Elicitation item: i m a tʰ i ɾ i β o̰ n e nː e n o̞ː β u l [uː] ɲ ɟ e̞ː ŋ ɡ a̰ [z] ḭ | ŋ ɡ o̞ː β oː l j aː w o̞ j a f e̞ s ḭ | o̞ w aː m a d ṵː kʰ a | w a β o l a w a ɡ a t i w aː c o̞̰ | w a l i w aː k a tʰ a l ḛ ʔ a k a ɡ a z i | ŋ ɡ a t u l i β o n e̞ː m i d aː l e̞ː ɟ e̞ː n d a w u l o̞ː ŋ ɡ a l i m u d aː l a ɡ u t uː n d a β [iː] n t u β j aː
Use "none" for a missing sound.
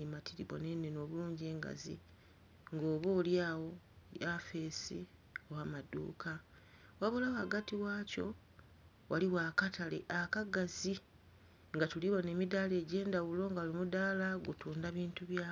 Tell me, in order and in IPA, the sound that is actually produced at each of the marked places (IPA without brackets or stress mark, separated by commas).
uː, z, iː